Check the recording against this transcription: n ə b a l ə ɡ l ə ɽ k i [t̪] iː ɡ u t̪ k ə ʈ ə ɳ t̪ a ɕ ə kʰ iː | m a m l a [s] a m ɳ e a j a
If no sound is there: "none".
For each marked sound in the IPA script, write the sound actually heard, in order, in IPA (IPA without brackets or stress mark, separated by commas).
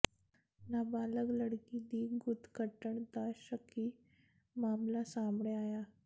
d̪, s